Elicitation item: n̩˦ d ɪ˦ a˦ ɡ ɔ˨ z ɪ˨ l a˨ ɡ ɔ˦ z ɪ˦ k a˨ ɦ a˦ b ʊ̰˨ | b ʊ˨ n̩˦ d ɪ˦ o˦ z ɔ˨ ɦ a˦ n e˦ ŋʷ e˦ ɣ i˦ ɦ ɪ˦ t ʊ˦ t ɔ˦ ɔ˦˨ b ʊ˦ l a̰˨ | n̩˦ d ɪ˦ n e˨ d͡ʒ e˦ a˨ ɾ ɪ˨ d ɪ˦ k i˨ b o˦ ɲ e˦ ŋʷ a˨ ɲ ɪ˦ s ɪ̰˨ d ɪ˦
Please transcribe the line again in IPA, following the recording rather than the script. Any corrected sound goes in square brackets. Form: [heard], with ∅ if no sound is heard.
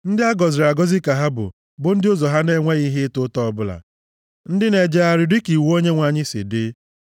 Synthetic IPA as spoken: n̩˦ d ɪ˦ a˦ ɡ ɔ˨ z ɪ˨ [ɾ] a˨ ɡ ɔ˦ z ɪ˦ k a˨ ɦ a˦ b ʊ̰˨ | b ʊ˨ n̩˦ d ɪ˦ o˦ z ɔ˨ ɦ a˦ n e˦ ŋʷ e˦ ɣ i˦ ɦ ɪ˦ t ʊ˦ t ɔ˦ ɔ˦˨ b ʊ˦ l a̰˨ | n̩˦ d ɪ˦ n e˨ d͡ʒ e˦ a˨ ɾ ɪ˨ d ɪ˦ k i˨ [w] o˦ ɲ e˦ ŋʷ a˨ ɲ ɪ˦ s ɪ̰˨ d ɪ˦